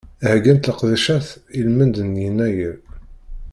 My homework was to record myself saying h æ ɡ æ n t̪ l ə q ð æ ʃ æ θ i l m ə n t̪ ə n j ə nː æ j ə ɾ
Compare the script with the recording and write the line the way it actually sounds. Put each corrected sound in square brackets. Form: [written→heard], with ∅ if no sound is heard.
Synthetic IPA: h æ ɡ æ n t̪ l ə q ð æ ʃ æ θ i l m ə n [t̪→d̪] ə n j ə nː æ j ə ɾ